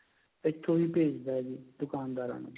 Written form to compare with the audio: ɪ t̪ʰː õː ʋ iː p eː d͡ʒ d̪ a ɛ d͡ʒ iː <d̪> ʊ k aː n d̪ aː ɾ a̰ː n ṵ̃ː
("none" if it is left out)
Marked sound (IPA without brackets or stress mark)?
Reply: d̪